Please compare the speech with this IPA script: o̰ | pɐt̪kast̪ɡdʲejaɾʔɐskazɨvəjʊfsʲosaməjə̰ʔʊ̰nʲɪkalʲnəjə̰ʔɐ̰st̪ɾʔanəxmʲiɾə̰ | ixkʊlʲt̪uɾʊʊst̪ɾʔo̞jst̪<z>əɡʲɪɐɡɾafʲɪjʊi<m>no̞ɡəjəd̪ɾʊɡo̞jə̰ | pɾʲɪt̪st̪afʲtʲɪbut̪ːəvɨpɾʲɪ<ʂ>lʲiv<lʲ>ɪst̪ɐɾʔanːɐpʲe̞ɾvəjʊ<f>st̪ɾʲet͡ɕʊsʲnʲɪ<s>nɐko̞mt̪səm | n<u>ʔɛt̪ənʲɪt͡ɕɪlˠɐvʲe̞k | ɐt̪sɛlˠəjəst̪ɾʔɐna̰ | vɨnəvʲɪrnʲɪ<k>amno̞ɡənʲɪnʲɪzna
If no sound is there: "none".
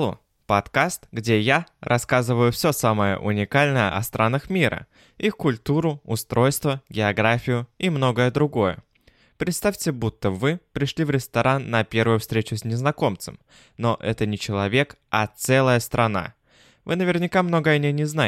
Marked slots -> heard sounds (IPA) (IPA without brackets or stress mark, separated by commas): v, m, ʂ, ɾʲ, f, z, o, k